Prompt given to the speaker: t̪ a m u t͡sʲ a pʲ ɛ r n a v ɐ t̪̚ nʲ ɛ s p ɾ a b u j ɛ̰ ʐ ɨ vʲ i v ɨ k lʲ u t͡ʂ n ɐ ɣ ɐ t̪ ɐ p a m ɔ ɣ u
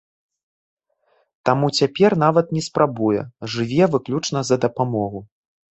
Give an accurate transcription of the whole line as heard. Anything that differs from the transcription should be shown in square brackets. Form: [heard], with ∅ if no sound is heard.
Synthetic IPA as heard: t̪ a m u t͡sʲ a pʲ ɛ r n a v ɐ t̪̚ nʲ ɛ s p ɾ a b u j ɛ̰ ʐ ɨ vʲ [ɛ] v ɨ k lʲ u t͡ʂ n ɐ [z] ɐ [d̪] ɐ p a m ɔ ɣ u

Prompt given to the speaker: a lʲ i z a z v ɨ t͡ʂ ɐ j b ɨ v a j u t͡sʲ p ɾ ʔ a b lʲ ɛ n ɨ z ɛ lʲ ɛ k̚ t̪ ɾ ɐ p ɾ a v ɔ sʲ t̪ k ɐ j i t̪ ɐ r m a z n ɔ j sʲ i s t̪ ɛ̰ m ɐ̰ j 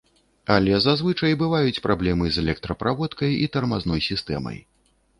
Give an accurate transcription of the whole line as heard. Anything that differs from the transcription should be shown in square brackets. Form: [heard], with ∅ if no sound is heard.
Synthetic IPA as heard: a lʲ [ɛ] z a z v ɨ t͡ʂ ɐ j b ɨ v a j u t͡sʲ p ɾ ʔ a b lʲ ɛ [m] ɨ z ɛ lʲ ɛ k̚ t̪ ɾ ɐ p ɾ a v ɔ [∅] t̪ k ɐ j i t̪ ɐ r m a z n ɔ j sʲ i s t̪ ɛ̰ m ɐ̰ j

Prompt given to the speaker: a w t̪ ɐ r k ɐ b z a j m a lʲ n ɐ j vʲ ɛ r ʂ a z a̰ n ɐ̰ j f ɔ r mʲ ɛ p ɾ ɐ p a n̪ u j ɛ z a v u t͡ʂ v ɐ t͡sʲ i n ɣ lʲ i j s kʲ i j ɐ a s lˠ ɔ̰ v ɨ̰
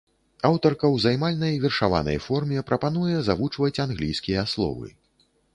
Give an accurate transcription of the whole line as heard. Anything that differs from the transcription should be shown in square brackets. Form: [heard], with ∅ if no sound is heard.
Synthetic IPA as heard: a w t̪ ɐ r k ɐ [w] z a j m a lʲ n ɐ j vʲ ɛ r ʂ a [v] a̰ n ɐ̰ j f ɔ r mʲ ɛ p ɾ ɐ p a n̪ u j ɛ z a v u t͡ʂ v ɐ t͡sʲ [a] n ɣ lʲ i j s kʲ i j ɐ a s lˠ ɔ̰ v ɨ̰

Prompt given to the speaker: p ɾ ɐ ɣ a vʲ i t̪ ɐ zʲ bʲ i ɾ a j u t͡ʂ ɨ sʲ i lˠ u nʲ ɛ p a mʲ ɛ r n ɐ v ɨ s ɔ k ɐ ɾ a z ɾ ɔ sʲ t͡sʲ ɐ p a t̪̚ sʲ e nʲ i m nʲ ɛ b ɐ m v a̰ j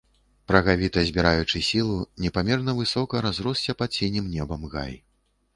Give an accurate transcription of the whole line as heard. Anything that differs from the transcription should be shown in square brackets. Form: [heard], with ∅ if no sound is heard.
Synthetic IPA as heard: p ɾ ɐ ɣ a vʲ i t̪ ɐ zʲ bʲ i ɾ a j u t͡ʂ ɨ sʲ i lˠ u nʲ ɛ p a mʲ ɛ r n ɐ v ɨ s ɔ k ɐ ɾ a z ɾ ɔ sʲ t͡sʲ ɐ p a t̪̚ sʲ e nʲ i m nʲ ɛ b ɐ m [ɣ] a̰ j

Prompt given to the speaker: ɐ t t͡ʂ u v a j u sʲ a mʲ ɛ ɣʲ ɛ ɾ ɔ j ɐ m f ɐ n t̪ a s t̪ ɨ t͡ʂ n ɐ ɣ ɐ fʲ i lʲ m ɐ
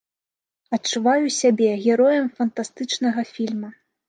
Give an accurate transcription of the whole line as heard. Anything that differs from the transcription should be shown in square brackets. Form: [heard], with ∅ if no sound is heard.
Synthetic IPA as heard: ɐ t t͡ʂ u v a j u sʲ a [bʲ] ɛ ɣʲ ɛ ɾ ɔ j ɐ m f ɐ n t̪ a s t̪ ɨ t͡ʂ n ɐ ɣ ɐ fʲ i lʲ m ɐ

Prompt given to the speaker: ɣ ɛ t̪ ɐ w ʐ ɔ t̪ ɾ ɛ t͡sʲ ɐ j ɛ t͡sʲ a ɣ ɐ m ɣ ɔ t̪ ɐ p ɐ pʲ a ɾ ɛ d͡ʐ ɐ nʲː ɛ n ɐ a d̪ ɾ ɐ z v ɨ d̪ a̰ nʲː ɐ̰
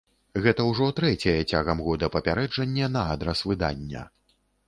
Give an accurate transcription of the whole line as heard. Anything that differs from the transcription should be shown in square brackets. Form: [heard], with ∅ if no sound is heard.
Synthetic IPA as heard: ɣ ɛ t̪ ɐ w ʐ ɔ t̪ ɾ ɛ t͡sʲ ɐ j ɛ t͡sʲ a ɣ ɐ m ɣ ɔ [d̪] ɐ p ɐ pʲ a ɾ ɛ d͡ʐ ɐ nʲː ɛ n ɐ a d̪ ɾ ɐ [s] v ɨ d̪ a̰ nʲː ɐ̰

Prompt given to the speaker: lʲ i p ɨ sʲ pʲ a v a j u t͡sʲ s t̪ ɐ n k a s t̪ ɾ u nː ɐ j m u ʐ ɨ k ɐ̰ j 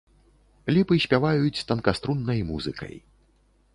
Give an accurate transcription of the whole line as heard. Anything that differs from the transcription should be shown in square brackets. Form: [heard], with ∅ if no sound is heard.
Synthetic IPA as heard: lʲ i p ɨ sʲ pʲ a v a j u t͡sʲ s t̪ ɐ n k a s t̪ ɾ u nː ɐ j m u [z] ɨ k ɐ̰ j

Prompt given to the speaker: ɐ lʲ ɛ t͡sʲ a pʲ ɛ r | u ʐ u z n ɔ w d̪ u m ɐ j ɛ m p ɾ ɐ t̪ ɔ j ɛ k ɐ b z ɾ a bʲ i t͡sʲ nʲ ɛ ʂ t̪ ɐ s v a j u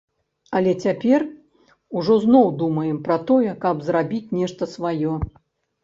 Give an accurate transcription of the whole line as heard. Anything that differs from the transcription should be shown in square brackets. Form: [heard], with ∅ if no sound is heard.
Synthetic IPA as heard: ɐ lʲ ɛ t͡sʲ a pʲ ɛ r | u ʐ [ɔ] z n ɔ w d̪ u m ɐ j ɛ m p ɾ ɐ t̪ ɔ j ɛ k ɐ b z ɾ a bʲ i t͡sʲ nʲ ɛ ʂ t̪ ɐ s v a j [ɔ]

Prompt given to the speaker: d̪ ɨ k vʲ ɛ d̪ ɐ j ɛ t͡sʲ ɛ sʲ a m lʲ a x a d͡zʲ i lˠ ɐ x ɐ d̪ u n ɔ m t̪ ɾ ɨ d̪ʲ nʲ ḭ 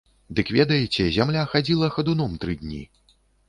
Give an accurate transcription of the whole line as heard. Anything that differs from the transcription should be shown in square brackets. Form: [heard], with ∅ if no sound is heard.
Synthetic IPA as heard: d̪ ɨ k vʲ ɛ d̪ ɐ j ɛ t͡sʲ ɛ [zʲ] a m lʲ a x a d͡zʲ i lˠ ɐ x ɐ d̪ u n ɔ m t̪ ɾ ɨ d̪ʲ nʲ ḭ

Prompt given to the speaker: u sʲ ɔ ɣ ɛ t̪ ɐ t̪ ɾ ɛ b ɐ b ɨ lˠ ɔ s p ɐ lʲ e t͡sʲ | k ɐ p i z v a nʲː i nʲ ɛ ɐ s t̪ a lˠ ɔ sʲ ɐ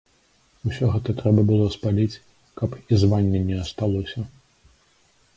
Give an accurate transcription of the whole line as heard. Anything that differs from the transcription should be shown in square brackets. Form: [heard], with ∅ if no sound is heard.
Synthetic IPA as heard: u sʲ ɔ ɣ ɛ t̪ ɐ t̪ ɾ ɛ b ɐ b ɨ lˠ ɔ s p [a] lʲ [i] t͡sʲ | k ɐ p i z v a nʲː [ɛ] nʲ ɛ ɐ s t̪ a lˠ ɔ sʲ ɐ

